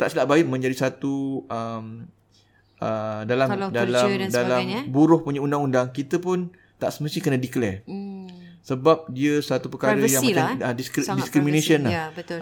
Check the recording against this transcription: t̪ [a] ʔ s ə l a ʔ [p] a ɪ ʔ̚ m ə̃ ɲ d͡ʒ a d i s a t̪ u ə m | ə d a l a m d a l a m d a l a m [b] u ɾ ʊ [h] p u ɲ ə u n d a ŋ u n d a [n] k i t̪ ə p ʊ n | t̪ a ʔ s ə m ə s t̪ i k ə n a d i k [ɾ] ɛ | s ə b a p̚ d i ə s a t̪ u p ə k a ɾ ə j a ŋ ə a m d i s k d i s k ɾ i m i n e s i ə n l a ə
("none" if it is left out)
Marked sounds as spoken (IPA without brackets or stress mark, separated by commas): a, b, b, h, ŋ, l